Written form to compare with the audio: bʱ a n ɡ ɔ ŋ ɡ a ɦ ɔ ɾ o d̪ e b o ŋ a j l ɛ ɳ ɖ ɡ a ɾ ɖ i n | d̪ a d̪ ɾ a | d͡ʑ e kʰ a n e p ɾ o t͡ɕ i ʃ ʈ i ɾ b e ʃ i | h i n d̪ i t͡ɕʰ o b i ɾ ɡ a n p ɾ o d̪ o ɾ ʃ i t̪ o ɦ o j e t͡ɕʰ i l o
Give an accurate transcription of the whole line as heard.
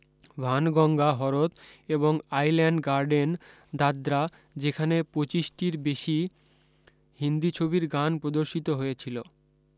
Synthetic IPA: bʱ a n ɡ ɔ ŋ ɡ a ɦ ɔ ɾ o t̪ e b o ŋ a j l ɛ ɳ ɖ ɡ a ɾ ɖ e n | d̪ a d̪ ɾ a | d͡ʑ e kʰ a n e p ɾ o t͡ɕ i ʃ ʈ i ɾ b e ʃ i | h i n d̪ i t͡ɕʰ o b i ɾ ɡ a n p ɾ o d̪ o ɾ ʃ i t̪ o ɦ o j e t͡ɕʰ i l o